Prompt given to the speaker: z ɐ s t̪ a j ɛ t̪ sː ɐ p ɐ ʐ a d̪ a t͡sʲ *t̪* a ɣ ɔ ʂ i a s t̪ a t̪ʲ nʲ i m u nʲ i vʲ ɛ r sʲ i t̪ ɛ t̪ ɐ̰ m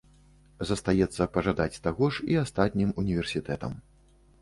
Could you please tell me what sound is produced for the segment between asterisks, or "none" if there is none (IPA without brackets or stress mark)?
t̪